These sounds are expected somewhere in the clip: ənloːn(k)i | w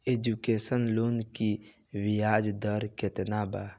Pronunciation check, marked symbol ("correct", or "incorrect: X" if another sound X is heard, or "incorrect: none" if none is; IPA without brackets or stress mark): correct